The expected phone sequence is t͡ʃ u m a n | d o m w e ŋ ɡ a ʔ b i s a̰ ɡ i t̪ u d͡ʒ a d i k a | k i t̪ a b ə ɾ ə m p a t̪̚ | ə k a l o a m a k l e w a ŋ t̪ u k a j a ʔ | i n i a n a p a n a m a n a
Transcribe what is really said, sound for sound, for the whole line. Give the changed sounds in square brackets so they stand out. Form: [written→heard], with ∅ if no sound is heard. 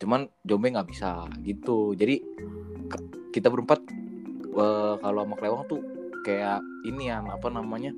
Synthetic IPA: t͡ʃ u m a n | [d→d͡ʒ] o m [w→b] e ŋ ɡ a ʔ b i s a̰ ɡ i t̪ u d͡ʒ a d i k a | k i t̪ a b ə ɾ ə m p a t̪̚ | ə k a l o a m a k l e w a ŋ t̪ u k a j a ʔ | i n i a n a p a n a m a [n→ɲ] a